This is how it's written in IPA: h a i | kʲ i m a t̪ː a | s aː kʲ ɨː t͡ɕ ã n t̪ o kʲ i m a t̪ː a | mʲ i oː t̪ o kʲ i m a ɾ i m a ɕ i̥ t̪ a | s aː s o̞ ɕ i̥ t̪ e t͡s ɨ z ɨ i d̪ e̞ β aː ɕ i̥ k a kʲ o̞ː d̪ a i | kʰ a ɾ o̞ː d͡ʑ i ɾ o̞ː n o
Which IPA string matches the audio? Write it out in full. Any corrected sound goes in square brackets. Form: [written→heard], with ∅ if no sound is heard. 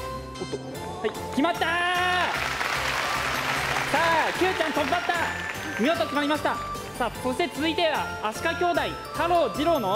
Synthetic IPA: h a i | kʲ i m a t̪ː a | s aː kʲ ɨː t͡ɕ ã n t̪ o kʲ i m a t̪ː a | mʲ i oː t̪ o kʲ i m a ɾ i m a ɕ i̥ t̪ a | s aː s o̞ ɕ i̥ t̪ e t͡s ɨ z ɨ i [d̪→t̪] e̞ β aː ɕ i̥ k a kʲ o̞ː d̪ a i | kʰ a ɾ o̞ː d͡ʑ i ɾ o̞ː n o